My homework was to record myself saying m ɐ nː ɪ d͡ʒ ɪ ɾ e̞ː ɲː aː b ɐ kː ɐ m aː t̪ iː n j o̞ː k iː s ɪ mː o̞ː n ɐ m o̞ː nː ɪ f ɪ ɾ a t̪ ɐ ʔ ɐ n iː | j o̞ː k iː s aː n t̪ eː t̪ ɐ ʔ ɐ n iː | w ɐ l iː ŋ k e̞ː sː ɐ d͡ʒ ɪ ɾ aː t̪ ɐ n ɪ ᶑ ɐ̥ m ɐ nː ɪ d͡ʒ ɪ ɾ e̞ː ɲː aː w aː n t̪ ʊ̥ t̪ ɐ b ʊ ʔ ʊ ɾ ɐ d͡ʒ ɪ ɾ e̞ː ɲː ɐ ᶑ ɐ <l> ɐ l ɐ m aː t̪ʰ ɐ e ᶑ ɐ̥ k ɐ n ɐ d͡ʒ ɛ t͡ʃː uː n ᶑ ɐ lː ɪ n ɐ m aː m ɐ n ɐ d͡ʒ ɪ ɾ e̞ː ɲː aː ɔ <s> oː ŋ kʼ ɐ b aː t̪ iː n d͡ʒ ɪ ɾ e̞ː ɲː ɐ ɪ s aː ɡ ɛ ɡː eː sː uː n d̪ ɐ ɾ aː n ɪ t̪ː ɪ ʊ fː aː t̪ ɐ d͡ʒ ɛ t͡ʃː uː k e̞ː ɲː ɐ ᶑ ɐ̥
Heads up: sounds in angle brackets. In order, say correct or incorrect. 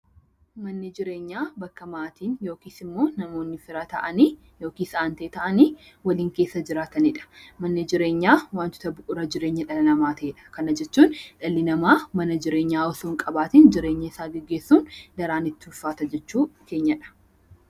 correct, correct

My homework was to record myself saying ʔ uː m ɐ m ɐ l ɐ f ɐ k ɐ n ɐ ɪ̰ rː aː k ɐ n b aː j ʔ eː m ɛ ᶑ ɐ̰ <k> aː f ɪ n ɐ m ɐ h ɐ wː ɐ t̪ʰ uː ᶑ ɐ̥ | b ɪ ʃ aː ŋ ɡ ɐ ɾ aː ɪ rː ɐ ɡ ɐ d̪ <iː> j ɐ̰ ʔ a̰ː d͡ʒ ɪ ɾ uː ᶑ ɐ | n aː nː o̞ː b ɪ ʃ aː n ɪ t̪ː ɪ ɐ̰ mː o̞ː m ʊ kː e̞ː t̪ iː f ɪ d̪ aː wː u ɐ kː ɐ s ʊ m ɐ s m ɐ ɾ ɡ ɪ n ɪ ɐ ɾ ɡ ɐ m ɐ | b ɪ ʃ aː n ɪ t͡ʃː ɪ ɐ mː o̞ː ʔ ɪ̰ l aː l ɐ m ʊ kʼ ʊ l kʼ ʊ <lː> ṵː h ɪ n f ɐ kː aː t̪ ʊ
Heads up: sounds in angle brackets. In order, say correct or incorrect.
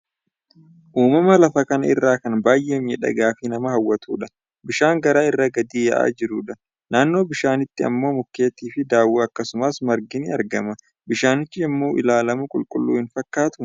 incorrect: ɡ, correct, correct

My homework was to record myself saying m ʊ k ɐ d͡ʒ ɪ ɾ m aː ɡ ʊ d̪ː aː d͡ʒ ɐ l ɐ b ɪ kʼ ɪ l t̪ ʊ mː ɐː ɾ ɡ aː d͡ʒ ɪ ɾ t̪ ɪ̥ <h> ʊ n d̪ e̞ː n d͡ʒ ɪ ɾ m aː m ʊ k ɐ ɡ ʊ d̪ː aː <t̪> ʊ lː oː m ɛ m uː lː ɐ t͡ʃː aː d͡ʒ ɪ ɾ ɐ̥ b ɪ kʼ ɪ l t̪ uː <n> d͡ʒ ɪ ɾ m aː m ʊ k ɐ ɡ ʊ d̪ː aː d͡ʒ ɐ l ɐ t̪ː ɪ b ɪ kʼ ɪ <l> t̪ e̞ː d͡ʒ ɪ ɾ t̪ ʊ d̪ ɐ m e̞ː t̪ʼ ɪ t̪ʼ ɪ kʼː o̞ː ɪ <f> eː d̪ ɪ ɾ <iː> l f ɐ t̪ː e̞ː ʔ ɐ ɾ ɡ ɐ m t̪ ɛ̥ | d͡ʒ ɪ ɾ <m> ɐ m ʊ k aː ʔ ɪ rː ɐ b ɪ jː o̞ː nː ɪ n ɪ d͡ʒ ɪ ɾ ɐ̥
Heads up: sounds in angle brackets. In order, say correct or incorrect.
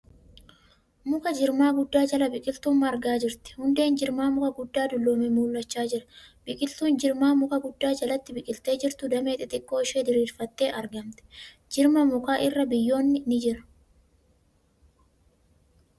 correct, incorrect: d̪, correct, correct, incorrect: ʃ, correct, correct

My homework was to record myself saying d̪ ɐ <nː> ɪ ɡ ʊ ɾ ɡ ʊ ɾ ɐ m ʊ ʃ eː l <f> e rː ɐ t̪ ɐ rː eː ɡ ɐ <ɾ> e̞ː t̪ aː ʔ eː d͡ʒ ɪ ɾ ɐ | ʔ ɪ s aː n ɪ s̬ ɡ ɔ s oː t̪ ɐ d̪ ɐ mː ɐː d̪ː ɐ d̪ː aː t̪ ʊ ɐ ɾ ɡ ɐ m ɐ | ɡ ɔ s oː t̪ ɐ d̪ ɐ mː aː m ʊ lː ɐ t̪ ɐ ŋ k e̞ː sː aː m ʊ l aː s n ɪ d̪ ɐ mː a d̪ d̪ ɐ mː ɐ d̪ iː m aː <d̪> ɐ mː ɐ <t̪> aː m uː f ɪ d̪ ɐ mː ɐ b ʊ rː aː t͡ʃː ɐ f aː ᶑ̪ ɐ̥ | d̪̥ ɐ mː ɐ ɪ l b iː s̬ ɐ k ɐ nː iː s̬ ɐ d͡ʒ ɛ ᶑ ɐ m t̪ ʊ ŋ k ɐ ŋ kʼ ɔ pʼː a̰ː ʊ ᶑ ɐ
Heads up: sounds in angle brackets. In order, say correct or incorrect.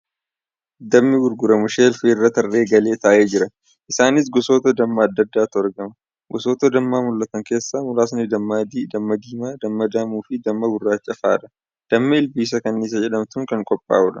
incorrect: mː, correct, incorrect: l, correct, incorrect: d̪

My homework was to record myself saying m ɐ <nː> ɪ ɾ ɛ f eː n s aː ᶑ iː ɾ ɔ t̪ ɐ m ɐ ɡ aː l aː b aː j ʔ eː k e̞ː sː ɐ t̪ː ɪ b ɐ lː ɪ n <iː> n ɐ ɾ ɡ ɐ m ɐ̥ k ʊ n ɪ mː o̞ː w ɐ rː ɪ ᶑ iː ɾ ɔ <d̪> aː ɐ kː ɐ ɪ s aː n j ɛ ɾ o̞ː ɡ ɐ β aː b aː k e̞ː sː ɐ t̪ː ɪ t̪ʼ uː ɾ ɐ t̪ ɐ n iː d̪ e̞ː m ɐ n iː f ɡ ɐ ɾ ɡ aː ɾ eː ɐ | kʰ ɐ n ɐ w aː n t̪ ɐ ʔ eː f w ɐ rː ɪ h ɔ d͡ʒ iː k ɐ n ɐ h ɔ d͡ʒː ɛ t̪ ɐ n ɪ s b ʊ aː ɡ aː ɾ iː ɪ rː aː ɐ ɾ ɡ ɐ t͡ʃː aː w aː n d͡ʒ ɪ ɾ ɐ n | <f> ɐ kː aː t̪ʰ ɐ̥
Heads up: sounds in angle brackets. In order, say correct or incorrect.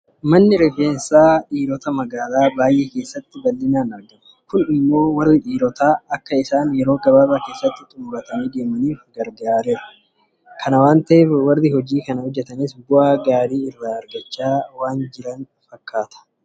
correct, incorrect: aː, incorrect: t̪, correct

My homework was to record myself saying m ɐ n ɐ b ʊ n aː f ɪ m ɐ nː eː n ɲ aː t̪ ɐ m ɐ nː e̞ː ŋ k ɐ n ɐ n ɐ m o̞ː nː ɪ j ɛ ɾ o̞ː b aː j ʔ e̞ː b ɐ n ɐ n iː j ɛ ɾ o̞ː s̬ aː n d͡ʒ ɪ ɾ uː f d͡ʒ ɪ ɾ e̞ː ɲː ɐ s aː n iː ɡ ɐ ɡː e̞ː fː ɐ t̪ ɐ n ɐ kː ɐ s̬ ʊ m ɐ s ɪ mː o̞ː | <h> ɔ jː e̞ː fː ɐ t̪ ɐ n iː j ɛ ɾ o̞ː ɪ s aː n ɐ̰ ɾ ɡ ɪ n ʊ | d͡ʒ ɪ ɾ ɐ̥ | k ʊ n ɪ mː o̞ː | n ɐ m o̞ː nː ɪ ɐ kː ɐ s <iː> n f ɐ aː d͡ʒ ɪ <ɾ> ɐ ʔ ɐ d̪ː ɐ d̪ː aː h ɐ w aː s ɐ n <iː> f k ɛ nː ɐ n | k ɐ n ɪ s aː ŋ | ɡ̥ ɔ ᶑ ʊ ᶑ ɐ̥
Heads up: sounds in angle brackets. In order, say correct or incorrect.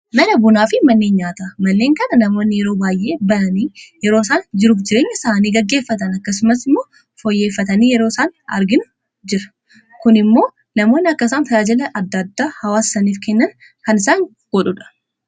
incorrect: f, incorrect: aː, incorrect: l, correct

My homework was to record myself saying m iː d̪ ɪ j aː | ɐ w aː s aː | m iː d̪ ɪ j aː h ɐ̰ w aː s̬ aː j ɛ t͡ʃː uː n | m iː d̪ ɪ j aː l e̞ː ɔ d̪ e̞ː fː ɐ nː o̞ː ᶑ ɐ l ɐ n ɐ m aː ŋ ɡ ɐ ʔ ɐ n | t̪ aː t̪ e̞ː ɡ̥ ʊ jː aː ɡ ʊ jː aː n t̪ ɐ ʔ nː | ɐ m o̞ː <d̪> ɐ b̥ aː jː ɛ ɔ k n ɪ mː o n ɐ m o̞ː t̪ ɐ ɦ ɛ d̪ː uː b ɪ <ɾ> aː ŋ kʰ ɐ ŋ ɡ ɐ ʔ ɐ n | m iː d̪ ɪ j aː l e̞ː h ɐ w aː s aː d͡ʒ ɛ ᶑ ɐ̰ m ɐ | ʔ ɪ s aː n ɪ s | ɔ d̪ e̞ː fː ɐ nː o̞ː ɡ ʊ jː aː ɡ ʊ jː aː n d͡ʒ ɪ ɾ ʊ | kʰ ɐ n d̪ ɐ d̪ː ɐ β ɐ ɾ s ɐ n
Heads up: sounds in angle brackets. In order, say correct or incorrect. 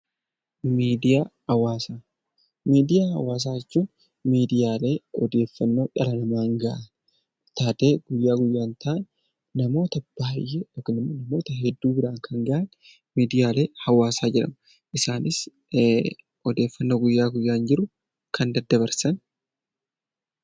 incorrect: t̪, correct

